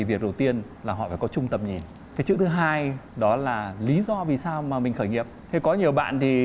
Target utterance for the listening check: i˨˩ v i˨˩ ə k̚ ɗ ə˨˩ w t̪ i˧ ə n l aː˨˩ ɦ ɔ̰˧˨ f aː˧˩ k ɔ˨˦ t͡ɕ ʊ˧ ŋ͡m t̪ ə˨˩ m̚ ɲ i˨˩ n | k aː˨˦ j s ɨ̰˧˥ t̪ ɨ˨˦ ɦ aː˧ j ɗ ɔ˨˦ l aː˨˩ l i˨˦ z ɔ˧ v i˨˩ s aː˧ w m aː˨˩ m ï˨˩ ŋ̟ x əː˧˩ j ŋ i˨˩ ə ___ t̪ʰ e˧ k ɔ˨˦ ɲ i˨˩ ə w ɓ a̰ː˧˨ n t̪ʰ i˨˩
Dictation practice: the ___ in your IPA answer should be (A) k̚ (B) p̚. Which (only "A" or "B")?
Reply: B